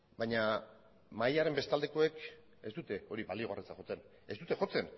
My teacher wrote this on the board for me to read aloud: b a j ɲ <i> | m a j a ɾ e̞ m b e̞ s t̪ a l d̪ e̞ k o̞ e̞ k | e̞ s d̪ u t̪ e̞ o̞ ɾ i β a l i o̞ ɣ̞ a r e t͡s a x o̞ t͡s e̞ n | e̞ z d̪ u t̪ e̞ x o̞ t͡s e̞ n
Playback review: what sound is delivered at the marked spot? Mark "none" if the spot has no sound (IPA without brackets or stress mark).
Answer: a